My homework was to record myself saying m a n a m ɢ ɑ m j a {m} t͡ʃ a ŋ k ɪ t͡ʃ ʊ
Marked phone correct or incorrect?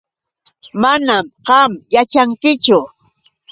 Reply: incorrect